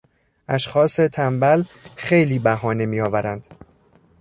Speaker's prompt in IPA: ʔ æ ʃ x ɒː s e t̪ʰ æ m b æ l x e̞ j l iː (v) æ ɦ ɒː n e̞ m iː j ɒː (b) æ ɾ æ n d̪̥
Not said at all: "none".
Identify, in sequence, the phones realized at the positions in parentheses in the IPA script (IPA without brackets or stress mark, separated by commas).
b, v